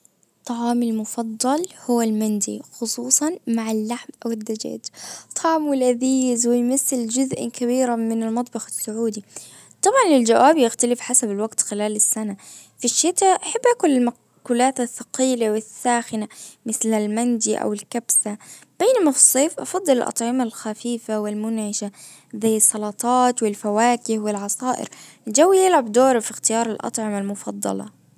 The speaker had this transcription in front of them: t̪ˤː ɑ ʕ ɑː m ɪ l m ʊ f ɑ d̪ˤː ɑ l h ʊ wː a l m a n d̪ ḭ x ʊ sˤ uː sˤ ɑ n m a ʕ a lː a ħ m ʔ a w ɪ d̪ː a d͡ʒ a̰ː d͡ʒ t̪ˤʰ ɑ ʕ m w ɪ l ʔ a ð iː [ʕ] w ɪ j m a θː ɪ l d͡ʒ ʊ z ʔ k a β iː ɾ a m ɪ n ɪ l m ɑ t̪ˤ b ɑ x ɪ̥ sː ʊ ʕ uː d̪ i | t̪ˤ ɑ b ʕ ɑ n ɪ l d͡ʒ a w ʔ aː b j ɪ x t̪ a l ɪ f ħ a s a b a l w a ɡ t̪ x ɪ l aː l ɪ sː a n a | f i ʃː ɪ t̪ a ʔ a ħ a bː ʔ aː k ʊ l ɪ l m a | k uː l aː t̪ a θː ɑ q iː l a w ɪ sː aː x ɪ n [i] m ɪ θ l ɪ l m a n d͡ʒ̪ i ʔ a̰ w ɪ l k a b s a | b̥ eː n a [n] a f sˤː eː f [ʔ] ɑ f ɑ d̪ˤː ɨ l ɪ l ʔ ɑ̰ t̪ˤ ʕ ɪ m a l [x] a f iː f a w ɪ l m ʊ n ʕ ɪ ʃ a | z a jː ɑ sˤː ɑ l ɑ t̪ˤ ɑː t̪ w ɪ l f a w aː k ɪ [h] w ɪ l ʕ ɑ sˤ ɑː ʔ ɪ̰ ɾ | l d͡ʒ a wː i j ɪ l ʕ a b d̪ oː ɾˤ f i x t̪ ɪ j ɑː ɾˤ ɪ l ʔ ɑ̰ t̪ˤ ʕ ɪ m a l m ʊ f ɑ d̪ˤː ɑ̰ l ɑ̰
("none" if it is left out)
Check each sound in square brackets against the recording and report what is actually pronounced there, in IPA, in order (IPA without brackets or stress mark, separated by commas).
z, a, m, ʔ, x, h